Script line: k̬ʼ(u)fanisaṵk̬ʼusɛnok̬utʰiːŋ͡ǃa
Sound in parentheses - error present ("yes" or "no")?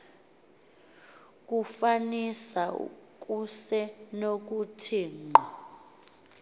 no